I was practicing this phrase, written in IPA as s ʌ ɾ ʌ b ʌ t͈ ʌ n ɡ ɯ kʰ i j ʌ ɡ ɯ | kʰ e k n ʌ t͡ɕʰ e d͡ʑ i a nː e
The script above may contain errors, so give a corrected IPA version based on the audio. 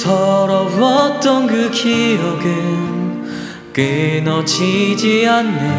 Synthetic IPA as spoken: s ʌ ɾ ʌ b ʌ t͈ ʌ n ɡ ɯ kʰ i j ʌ ɡ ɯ | k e n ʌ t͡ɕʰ i d͡ʑ i a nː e

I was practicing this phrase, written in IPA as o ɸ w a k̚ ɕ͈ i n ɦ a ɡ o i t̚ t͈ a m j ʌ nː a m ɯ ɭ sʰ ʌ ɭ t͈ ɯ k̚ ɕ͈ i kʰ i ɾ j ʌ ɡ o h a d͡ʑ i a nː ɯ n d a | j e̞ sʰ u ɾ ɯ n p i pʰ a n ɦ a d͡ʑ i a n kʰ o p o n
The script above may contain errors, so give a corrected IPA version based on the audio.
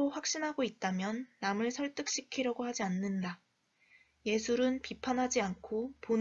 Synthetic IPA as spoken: o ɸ w a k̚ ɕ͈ i n ɦ a ɡ o i t̚ t͈ a m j ʌ nː a m ɯ ɭ sʰ ʌ ɭ t͈ ɯ k̚ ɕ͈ i kʰ i ɾ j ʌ ɡ o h a d͡ʑ i a nː ɯ n d a | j e̞ sʰ u ɾ ɯ n p i pʰ a n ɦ a d͡ʑ i a n kʰ o p o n

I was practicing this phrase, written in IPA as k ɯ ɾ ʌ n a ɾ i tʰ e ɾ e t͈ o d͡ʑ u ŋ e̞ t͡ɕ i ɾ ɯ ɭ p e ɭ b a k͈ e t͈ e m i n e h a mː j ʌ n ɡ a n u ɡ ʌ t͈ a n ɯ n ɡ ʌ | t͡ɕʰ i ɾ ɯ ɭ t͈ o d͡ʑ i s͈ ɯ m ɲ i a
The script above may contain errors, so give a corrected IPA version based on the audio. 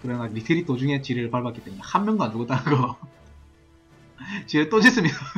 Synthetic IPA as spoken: k ɯ ɾ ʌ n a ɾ i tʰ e ɾ i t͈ o d͡ʑ u ŋ e̞ t͡ɕ i ɾ ɯ ɭ p a ɭ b a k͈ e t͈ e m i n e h a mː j ʌ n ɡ a n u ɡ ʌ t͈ a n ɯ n ɡ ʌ | t͡ɕ i ɾ ɯ ɭ t͈ o d͡ʑ i s͈ ɯ m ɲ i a

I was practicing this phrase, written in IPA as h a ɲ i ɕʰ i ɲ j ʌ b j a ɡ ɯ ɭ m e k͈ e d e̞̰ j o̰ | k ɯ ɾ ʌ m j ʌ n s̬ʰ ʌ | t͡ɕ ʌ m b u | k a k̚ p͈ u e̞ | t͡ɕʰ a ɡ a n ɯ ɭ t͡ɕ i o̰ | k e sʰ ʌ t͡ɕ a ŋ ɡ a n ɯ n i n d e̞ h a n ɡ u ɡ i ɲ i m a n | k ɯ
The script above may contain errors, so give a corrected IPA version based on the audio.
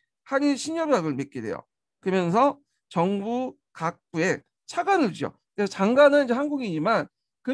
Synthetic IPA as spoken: h a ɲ i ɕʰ i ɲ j ʌ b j a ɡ ɯ ɭ m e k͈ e d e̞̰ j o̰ | k ɯ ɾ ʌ m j ʌ n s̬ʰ ʌ | t͡ɕ ʌ ŋ b u | k a k̚ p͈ u e̞ | t͡ɕʰ a ɡ a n ɯ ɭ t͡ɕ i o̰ | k e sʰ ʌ t͡ɕ a ŋ ɡ a n ɯ n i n d͡ʑ e̞ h a n ɡ u ɡ i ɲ i m a n | k ɯ

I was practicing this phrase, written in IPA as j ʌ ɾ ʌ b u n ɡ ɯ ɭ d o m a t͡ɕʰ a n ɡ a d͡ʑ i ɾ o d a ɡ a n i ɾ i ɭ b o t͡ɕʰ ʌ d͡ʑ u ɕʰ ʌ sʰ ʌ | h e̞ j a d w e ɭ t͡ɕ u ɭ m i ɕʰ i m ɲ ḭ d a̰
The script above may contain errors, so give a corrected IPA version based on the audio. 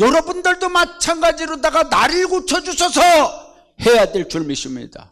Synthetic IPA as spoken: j ʌ ɾ ʌ b u n d ɯ ɭ d o m a t͡ɕʰ a n ɡ a d͡ʑ i ɾ o d a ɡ a n a ɾ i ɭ ɡ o t͡ɕʰ ʌ d͡ʑ u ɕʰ ʌ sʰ ʌ | h e̞ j a d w e ɭ t͡ɕ u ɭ m i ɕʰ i m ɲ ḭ d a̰

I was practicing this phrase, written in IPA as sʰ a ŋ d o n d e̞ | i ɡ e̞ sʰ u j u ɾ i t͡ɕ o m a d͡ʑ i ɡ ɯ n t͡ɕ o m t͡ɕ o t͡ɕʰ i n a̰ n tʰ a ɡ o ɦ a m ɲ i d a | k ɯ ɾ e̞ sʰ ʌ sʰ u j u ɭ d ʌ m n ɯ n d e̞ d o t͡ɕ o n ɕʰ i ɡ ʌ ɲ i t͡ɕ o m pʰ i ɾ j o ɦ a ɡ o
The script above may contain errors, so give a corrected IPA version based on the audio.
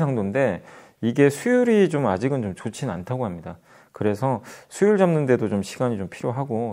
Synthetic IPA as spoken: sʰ a ŋ d o n d e̞ | i ɡ e̞ sʰ u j u ɾ i t͡ɕ o m a d͡ʑ i ɡ ɯ n t͡ɕ o m t͡ɕ o t͡ɕʰ i n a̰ n tʰ a ɡ o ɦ a m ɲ i d a | k ɯ ɾ e̞ sʰ ʌ sʰ u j u ɭ d͡ʑ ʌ m n ɯ n d e̞ d o t͡ɕ o m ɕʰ i ɡ a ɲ i t͡ɕ o m pʰ i ɾ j o ɦ a ɡ o

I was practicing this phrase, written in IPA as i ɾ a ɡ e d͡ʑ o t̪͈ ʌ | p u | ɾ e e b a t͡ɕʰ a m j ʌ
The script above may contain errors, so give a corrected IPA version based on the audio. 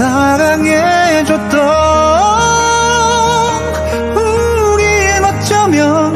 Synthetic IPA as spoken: a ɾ a ŋ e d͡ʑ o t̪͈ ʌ | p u | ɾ i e m a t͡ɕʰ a m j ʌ

